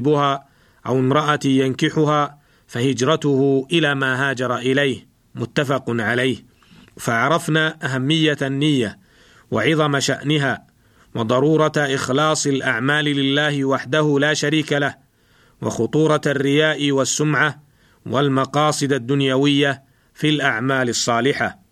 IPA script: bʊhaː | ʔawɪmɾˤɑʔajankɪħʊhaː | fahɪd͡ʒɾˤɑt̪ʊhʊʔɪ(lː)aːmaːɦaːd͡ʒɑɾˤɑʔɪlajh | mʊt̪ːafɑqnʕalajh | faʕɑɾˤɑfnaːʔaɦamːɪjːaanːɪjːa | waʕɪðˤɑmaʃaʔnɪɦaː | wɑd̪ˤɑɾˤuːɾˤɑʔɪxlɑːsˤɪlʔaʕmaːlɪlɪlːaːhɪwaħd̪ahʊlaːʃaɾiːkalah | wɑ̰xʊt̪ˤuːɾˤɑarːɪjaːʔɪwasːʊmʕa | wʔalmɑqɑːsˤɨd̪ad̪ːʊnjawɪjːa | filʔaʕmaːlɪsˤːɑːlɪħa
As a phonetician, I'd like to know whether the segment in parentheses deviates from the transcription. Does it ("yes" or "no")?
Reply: yes